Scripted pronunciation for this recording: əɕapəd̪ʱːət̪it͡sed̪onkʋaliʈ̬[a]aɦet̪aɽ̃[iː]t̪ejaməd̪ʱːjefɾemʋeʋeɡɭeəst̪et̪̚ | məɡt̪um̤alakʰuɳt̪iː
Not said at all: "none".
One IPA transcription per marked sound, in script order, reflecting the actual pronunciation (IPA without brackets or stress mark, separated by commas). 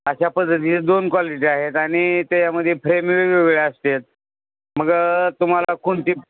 i, i